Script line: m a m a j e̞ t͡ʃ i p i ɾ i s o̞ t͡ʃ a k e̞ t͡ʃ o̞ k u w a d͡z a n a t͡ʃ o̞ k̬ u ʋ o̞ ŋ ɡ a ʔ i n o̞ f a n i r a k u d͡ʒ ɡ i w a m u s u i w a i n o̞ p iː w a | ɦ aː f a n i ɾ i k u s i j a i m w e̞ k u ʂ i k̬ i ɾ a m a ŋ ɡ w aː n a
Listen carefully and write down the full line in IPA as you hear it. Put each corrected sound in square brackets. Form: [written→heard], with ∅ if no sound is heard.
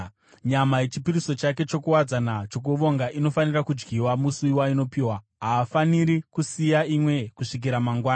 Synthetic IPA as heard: [m→ɲ] a m a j e̞ t͡ʃ i p i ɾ i s o̞ t͡ʃ a k e̞ t͡ʃ o̞ k u w a d͡z a n a t͡ʃ o̞ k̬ u ʋ o̞ ŋ ɡ a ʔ i n o̞ f a n i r a k u d͡ʒ ɡ i w a m u s u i w a i n o̞ p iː w a | ɦ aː f a n i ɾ i k u s i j a i m w e̞ k u ʂ i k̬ i ɾ a m a ŋ ɡ w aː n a